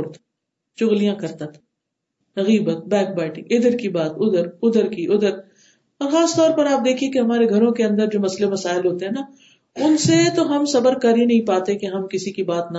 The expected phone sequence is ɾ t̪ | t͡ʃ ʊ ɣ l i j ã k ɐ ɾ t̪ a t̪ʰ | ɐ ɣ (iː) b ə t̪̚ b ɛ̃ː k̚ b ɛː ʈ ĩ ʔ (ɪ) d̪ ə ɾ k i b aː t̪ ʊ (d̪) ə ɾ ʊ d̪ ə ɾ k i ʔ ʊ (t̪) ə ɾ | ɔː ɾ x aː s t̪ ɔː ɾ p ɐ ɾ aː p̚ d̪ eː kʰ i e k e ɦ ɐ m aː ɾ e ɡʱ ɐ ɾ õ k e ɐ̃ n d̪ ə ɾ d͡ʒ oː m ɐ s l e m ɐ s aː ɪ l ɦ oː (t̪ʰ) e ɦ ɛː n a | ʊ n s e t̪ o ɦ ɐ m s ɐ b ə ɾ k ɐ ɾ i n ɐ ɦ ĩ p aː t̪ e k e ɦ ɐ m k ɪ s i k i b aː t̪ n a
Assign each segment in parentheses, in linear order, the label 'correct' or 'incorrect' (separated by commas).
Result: correct, correct, correct, incorrect, incorrect